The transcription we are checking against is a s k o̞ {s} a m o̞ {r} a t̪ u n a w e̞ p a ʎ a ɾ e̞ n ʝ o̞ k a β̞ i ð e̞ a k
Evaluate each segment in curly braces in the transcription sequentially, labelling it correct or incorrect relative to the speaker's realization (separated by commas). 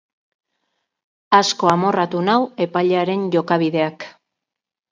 incorrect, correct